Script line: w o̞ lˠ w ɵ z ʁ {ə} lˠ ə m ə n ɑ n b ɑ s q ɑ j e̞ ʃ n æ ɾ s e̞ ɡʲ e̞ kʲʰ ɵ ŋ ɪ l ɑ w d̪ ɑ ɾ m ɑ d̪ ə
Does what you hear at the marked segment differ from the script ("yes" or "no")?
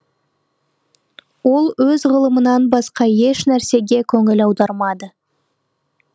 no